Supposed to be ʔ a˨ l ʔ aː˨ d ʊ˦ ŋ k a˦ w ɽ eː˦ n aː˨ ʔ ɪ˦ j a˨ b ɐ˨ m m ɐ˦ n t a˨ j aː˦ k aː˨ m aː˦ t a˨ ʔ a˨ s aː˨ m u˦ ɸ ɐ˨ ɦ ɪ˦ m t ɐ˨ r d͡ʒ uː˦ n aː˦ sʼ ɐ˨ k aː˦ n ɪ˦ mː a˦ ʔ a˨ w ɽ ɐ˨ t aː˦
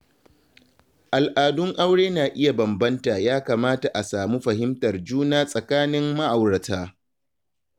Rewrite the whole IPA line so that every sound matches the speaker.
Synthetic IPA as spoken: ʔ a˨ l ʔ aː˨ d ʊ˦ ŋ ʔ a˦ w ɽ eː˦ n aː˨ ʔ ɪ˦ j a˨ b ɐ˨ m b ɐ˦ n t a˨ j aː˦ k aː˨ m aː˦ t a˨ ʔ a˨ s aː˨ m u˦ ɸ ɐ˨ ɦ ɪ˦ m t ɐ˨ r d͡ʒ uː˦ n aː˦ sʼ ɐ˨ k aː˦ n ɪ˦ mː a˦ ʔ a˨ w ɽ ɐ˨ t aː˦